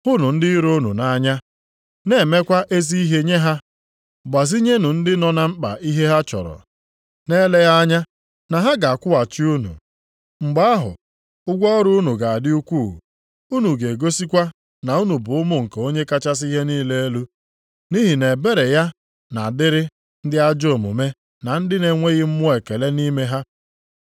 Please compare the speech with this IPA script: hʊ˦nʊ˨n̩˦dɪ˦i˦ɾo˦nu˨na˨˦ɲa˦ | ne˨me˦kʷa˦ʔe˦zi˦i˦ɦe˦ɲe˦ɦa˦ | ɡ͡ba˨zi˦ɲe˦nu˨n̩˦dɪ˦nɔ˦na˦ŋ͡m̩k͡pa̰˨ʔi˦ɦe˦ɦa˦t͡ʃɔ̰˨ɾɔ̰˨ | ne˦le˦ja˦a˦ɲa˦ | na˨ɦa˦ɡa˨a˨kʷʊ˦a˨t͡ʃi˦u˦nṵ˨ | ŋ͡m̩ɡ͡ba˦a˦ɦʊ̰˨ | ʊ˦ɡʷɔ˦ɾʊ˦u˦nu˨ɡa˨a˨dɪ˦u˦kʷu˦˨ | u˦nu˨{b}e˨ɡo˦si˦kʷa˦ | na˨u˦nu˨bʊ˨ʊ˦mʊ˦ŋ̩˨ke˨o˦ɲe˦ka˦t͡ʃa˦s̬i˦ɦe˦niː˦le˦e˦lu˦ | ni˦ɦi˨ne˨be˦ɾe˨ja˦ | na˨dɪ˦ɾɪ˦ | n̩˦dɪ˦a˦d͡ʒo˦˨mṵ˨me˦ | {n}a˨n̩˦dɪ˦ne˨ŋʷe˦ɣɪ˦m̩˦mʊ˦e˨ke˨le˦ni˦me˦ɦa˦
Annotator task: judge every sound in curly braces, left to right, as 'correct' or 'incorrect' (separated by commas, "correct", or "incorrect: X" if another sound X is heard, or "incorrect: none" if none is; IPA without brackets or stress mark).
incorrect: ɡ, correct